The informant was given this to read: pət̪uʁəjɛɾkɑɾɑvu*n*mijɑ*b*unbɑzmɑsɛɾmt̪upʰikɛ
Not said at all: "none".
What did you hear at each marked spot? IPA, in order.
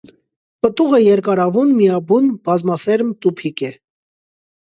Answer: n, b

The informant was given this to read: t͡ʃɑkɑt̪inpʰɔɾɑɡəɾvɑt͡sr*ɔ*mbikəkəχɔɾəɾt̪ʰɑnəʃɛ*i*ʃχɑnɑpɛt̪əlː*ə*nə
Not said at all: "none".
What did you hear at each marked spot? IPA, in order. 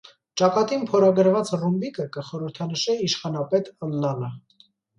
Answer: u, i, ɑ

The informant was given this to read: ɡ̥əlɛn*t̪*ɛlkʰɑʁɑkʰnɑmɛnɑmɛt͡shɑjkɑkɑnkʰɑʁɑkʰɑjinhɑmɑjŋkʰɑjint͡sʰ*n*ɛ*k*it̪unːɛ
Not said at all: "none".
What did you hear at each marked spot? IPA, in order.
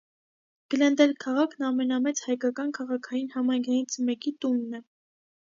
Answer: d̪, m, k

